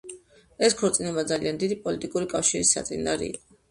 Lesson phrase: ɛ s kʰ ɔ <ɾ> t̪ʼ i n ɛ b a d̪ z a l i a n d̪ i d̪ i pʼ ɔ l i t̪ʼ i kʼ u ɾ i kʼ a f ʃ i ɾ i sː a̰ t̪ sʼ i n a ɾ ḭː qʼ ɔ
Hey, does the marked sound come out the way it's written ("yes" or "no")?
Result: yes